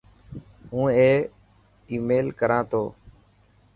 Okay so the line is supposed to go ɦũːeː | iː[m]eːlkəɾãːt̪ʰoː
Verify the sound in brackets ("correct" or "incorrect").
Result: correct